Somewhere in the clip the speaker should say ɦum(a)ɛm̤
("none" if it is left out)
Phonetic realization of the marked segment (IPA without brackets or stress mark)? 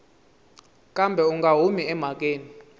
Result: i